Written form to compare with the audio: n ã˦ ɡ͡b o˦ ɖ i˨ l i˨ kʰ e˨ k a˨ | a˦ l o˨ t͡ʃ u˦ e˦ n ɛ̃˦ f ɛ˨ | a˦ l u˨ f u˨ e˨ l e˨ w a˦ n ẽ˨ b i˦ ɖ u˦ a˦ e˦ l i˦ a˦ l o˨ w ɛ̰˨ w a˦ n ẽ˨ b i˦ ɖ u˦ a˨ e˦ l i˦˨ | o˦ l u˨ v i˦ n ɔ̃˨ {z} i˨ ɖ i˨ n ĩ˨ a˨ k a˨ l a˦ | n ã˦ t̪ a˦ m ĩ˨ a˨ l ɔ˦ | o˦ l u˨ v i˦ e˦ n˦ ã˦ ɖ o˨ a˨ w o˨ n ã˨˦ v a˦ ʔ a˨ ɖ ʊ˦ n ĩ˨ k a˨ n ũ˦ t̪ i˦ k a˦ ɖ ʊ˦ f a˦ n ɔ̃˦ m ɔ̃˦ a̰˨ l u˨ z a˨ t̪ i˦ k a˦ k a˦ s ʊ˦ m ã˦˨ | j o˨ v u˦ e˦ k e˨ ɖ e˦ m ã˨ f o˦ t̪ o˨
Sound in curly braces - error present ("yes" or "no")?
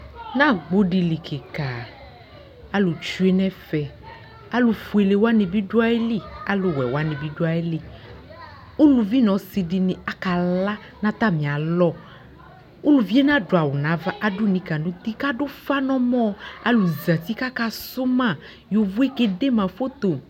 yes